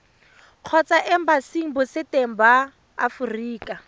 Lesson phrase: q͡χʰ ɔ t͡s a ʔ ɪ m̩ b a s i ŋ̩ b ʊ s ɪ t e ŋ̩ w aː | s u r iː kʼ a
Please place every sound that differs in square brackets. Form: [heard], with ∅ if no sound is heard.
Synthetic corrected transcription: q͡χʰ ɔ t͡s a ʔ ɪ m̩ b a s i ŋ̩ b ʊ s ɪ t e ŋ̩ [b] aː | [f] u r iː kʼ a